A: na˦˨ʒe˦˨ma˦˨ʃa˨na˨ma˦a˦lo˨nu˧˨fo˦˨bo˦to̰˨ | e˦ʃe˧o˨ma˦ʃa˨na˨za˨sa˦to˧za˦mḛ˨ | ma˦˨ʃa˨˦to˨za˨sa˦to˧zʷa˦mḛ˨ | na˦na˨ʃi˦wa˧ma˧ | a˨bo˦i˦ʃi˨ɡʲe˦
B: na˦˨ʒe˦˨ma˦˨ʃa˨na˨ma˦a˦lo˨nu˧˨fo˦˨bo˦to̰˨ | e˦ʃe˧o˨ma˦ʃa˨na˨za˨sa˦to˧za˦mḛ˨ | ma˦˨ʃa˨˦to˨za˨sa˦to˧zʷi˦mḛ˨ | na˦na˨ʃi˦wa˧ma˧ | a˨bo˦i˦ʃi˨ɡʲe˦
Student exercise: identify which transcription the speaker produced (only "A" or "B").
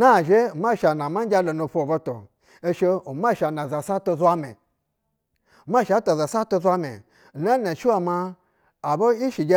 A